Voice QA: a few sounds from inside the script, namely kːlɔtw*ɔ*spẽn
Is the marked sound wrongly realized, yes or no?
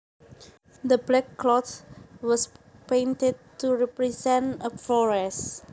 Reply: no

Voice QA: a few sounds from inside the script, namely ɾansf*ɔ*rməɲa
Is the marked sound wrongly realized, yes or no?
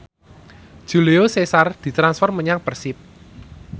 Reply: no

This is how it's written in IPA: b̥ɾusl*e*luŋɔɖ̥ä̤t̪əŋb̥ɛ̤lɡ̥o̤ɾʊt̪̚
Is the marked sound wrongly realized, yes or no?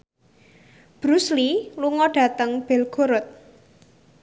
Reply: yes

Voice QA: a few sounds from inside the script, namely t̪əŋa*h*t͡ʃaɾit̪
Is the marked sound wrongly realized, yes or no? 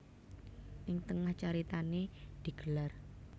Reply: no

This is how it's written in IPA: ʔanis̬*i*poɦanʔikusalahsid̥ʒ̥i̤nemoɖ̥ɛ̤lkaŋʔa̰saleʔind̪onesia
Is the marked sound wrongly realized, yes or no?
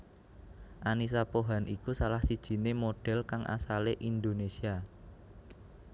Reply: yes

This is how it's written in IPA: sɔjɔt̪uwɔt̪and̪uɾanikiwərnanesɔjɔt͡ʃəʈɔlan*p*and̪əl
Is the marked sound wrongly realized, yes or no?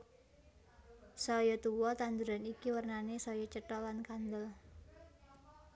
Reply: yes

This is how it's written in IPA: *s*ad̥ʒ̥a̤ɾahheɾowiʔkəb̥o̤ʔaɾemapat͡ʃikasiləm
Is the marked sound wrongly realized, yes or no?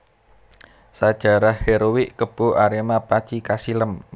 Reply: no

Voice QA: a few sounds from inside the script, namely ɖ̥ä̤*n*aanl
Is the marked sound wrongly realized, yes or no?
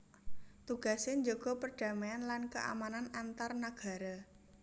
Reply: yes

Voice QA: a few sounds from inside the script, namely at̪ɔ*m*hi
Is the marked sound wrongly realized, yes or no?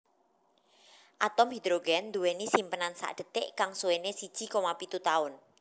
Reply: no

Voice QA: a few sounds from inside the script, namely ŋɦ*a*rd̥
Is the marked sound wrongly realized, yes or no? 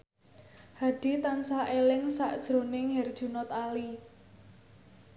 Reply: yes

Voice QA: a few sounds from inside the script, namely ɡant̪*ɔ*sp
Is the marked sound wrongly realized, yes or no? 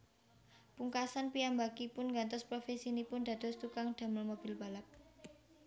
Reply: no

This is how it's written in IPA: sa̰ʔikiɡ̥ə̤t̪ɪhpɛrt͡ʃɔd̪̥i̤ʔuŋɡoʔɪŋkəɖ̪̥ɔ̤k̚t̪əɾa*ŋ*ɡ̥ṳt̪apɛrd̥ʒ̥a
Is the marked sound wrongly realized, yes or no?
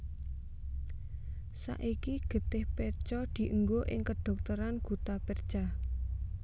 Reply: yes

